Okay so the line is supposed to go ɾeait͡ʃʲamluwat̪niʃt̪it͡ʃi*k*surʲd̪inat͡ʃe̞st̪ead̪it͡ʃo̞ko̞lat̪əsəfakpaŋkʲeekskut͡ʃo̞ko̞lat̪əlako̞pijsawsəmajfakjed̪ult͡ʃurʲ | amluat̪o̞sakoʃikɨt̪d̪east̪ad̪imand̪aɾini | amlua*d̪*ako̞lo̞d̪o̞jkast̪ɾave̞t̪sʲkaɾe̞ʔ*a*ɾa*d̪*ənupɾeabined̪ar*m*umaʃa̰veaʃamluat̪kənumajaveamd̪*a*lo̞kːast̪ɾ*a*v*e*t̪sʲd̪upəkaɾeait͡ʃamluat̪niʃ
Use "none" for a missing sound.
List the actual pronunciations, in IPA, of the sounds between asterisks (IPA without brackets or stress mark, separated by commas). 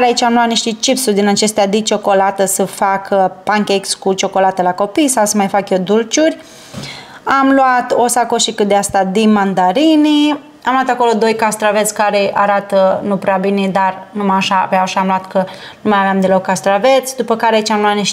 p, t̪, a, t̪, n, e, a, e